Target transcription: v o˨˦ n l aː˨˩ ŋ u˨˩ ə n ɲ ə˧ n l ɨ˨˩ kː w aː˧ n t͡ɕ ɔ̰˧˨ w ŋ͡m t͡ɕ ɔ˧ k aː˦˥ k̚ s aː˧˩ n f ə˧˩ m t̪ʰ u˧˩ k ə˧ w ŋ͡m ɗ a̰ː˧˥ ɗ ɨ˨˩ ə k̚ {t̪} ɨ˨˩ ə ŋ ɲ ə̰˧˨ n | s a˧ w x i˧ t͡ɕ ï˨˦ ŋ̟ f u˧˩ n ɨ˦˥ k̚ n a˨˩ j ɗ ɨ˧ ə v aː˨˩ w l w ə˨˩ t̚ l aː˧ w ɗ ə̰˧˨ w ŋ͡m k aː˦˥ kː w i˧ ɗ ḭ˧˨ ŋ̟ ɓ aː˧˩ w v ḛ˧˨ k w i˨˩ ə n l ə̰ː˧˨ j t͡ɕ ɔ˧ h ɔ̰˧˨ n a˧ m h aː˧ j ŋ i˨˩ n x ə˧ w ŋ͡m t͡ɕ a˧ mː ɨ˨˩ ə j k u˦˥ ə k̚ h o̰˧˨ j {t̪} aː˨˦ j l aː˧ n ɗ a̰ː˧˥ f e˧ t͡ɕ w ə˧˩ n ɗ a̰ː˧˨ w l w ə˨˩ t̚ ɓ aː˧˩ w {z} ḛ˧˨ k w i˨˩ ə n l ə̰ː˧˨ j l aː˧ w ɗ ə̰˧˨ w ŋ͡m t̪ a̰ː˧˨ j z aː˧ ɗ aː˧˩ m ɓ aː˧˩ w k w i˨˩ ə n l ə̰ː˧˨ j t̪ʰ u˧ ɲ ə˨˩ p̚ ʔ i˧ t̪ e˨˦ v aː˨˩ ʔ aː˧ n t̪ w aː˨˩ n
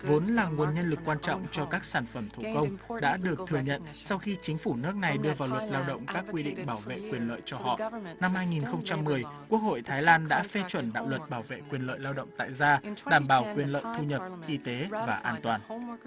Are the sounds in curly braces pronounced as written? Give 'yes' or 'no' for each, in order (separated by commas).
no, no, no